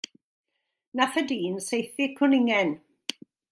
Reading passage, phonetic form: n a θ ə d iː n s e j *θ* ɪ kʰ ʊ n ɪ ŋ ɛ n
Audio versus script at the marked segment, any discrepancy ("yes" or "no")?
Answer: no